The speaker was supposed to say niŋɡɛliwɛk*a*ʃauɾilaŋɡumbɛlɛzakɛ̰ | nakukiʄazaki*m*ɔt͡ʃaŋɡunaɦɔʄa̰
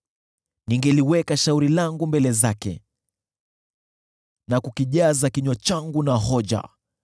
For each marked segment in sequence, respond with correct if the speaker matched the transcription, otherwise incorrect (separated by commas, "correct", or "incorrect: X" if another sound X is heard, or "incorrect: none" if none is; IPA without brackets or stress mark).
correct, incorrect: ɲ